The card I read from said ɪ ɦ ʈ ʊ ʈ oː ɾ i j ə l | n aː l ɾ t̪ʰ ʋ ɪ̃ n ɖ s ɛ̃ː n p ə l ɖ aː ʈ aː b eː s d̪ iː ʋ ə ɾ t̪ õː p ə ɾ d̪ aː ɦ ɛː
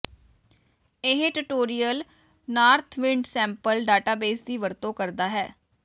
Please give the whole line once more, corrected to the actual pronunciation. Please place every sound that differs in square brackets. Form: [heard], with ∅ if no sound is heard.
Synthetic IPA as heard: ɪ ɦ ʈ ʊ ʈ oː ɾ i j ə l | n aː [∅] ɾ t̪ʰ ʋ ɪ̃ [ɳ] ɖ s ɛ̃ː [m] p ə l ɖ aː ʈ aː b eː s d̪ iː ʋ ə ɾ t̪ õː [k] ə ɾ d̪ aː ɦ ɛː